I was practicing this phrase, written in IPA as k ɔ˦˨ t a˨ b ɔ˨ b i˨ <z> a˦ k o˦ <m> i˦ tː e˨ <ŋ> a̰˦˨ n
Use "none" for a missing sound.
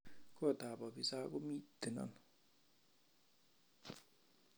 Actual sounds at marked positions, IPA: s, m, n

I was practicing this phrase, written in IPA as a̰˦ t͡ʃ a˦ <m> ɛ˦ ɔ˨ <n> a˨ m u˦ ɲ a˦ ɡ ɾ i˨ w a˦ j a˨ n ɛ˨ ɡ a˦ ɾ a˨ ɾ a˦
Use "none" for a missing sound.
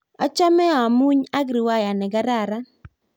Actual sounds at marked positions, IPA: m, none

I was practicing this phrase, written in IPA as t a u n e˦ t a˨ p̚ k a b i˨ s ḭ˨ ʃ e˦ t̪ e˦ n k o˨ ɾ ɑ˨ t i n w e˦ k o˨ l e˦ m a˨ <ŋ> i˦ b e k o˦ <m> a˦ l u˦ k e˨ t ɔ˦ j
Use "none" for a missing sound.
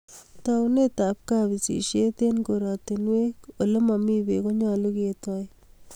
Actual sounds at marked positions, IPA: m, ɲ

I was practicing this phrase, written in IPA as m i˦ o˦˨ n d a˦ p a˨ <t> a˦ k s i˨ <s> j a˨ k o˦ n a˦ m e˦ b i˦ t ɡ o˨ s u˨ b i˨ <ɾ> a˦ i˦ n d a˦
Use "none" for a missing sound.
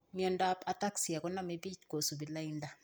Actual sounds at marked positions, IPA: t, none, l

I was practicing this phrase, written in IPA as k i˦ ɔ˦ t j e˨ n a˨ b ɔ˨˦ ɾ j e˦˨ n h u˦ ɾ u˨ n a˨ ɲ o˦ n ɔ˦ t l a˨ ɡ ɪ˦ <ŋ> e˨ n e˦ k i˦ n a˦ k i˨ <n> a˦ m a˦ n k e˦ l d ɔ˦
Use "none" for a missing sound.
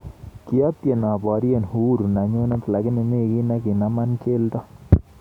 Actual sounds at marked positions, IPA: n, n

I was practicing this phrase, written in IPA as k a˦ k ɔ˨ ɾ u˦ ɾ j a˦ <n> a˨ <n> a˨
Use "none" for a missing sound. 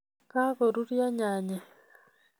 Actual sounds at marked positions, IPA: ɲ, ɲ

